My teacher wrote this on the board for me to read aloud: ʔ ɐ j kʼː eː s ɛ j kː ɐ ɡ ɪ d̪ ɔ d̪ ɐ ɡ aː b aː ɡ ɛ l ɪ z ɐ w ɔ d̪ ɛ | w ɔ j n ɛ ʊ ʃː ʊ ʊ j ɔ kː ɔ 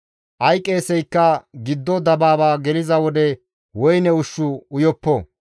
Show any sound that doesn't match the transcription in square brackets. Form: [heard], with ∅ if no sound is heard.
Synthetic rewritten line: ʔ ɐ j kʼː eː s ɛ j kː ɐ ɡ ɪ [d̪ː] ɔ d̪ ɐ [b] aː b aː ɡ ɛ l ɪ z ɐ w ɔ d̪ ɛ | w ɔ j n ɛ ʊ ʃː ʊ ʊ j ɔ [pː] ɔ